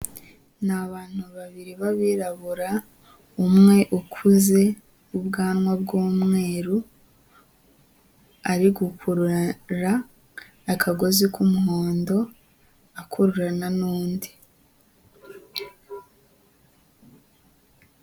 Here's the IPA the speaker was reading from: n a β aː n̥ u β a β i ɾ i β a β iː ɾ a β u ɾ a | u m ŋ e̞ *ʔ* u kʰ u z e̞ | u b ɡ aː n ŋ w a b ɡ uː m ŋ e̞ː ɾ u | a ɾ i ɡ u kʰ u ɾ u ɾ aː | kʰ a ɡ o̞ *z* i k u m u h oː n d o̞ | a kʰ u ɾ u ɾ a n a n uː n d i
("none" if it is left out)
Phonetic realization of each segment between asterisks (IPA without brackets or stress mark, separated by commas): ʔ, z